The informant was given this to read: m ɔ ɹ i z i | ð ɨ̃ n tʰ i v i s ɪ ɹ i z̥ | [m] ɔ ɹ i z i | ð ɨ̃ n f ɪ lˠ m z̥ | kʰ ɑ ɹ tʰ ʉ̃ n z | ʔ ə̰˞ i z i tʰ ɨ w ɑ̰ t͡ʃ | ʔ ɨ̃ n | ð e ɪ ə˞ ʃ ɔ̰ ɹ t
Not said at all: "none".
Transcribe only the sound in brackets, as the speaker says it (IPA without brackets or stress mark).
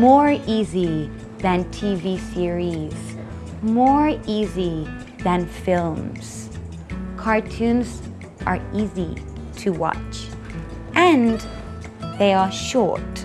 m